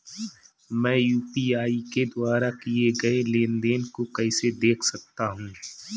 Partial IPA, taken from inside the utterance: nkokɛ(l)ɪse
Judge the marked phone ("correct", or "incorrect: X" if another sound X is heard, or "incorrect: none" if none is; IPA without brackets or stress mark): incorrect: none